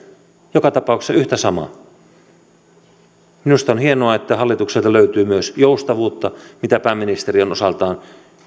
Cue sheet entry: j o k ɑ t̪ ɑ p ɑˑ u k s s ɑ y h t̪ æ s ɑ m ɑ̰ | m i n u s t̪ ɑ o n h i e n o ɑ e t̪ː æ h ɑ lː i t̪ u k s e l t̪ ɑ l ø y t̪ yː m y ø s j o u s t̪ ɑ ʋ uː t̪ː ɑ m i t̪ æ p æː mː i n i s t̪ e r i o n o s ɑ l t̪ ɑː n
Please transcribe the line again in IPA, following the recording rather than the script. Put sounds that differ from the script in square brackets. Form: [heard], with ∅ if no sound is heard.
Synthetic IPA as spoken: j o k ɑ t̪ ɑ p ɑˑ u k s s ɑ y h t̪ æ s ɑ m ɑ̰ | m i n u s t̪ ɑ o n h i e n o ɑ e t̪ː æ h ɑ lː i t̪ u k s e l t̪ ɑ l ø y t̪ yː m y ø s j o u s t̪ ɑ ʋ uː t̪ː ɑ m i t̪ æ p æː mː i n i s t̪ e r i o n o s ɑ l t̪ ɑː n